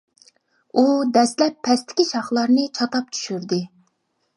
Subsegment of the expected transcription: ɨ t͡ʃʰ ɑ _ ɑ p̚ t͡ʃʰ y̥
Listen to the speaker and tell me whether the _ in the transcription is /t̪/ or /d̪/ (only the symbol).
t̪